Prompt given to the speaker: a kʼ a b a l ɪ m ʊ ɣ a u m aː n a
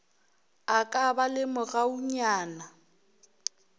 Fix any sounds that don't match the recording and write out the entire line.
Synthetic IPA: a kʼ a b a l ɪ m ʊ ɣ a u ɲ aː n a